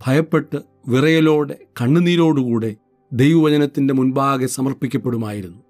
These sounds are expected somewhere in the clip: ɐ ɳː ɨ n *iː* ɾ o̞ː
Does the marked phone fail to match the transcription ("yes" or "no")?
no